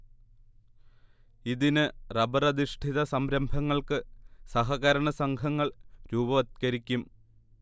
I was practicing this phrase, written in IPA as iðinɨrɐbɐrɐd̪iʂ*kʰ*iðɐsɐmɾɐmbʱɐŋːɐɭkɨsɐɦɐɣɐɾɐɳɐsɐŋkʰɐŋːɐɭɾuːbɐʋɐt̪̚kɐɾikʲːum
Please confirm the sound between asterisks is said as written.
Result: no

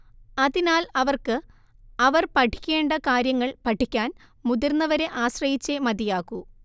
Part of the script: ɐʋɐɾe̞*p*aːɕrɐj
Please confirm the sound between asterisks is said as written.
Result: no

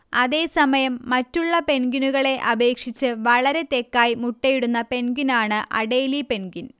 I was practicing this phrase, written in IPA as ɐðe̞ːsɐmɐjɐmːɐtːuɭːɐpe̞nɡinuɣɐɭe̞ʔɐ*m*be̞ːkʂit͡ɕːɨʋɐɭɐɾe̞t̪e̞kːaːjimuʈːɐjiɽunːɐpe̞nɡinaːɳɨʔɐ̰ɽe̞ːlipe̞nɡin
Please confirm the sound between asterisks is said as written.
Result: no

